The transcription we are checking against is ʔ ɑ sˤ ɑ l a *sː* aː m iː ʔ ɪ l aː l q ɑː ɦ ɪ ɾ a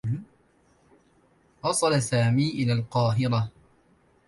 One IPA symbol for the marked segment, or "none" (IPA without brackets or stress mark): s